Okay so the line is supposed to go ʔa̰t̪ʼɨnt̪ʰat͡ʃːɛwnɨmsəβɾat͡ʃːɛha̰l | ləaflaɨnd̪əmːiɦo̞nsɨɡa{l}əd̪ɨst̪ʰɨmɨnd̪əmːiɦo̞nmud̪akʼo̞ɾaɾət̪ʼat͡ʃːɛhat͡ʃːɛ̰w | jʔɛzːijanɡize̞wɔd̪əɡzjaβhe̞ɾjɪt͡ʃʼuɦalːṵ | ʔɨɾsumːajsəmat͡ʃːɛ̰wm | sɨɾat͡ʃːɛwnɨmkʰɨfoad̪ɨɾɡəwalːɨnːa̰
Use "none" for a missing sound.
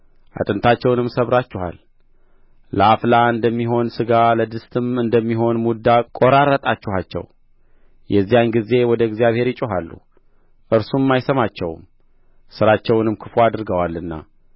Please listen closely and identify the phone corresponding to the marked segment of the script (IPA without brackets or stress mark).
l